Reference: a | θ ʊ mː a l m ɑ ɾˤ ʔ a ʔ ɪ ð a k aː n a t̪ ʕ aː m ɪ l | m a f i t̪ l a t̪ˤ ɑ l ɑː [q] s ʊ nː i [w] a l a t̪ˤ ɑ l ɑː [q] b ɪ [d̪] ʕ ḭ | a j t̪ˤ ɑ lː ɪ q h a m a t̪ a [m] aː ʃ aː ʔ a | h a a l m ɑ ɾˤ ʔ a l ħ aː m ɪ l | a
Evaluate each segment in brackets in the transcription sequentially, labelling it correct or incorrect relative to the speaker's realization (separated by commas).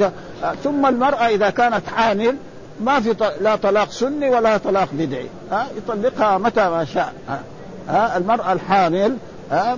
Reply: correct, correct, correct, correct, correct